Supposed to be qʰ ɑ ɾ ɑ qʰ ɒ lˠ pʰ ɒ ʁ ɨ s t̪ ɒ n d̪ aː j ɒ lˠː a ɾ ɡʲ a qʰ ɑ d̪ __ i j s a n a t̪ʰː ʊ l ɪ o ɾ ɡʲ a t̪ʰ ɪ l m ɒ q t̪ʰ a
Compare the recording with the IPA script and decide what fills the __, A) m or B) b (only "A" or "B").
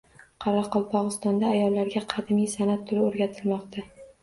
A